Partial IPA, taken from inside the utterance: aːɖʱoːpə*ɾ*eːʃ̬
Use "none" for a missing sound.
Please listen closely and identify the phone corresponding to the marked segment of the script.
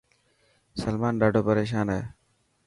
ɾ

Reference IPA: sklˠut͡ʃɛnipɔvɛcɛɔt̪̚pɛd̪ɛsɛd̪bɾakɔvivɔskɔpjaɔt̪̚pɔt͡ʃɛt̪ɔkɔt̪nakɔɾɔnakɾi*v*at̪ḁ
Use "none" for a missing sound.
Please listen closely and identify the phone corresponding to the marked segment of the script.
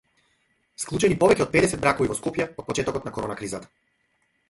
z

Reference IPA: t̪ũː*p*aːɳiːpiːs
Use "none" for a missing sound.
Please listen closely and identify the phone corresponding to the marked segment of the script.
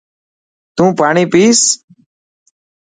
p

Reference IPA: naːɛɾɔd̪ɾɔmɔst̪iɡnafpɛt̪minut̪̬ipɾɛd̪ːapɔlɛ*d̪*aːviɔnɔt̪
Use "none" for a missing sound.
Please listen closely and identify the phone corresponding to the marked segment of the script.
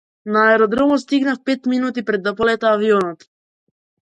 t̪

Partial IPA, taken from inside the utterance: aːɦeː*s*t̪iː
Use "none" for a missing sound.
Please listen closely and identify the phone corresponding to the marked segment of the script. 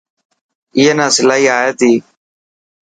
none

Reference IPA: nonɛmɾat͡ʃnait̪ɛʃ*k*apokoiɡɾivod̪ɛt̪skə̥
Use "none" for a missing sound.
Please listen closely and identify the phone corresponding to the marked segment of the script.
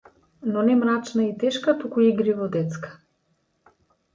k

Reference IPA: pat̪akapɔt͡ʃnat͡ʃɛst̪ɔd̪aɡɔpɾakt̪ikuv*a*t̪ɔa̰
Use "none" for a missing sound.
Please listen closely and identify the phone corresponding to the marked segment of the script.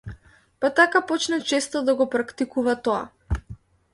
a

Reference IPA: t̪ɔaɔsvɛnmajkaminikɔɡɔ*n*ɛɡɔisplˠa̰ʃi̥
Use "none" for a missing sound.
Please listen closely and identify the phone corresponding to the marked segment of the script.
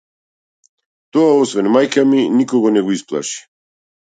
n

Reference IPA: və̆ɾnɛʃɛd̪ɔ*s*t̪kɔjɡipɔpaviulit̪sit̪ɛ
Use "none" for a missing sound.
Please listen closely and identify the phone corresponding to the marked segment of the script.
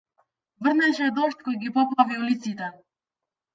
ʃ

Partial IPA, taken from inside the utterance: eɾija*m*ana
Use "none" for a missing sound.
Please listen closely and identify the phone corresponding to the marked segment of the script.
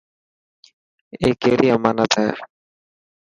m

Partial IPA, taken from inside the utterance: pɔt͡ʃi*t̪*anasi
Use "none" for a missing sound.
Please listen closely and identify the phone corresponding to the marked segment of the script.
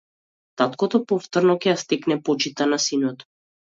t̪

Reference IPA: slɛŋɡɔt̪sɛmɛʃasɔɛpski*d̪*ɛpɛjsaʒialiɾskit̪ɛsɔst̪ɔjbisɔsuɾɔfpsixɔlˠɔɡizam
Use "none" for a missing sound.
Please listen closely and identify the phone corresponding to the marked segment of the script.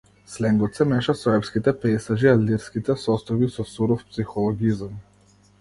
t̪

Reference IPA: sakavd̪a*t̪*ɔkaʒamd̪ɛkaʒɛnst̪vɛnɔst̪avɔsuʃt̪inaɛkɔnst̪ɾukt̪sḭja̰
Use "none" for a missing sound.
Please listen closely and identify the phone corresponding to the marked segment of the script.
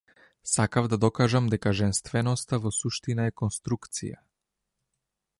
d̪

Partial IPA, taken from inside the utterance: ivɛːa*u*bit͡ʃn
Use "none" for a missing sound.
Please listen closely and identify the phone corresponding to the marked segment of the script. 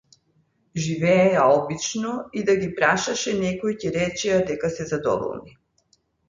ɔ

